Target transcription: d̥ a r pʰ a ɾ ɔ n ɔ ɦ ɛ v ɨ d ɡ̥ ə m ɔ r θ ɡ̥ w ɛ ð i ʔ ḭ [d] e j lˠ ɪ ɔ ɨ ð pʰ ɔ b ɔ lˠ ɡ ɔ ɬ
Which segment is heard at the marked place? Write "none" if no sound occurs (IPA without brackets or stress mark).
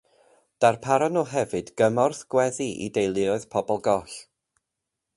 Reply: d